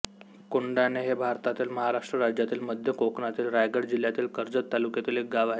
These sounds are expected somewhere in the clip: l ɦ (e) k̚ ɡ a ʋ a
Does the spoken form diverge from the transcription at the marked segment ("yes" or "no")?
no